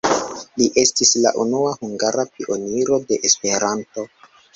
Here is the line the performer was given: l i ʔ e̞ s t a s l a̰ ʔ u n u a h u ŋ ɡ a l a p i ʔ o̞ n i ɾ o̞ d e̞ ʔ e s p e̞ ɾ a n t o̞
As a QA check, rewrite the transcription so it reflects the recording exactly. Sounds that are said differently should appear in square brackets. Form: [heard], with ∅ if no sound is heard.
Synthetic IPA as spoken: l i ʔ e̞ s t [i] s l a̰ ʔ u n u a h u ŋ ɡ a [ɾ] a p i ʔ o̞ n i ɾ o̞ d e̞ ʔ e s p e̞ ɾ a n t o̞